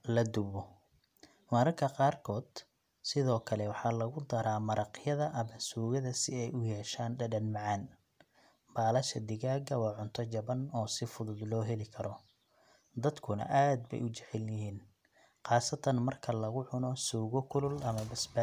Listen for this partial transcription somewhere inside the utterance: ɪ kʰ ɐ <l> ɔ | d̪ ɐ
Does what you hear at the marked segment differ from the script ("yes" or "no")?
yes